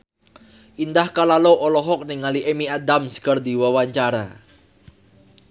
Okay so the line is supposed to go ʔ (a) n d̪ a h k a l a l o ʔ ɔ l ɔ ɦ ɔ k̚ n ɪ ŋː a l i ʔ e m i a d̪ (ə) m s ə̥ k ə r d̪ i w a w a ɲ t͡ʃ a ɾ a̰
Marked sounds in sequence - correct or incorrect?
incorrect: i, incorrect: a

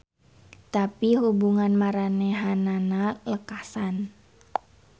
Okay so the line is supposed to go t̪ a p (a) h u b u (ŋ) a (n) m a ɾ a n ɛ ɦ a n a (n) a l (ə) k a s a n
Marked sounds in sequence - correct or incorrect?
incorrect: i, correct, correct, correct, correct

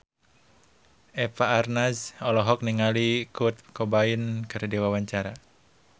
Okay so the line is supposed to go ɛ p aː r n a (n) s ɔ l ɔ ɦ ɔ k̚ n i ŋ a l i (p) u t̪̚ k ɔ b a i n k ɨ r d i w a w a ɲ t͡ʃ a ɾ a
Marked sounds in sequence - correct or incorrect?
incorrect: none, incorrect: k

